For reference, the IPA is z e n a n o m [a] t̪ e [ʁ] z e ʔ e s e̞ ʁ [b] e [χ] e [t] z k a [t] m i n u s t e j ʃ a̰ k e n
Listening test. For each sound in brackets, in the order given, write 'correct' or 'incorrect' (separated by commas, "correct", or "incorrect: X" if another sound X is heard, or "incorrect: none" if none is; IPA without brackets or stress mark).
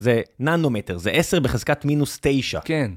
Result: incorrect: e, correct, correct, correct, incorrect: none, correct